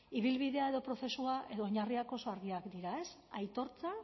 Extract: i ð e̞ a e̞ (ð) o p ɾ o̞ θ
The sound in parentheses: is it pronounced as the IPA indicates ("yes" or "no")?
yes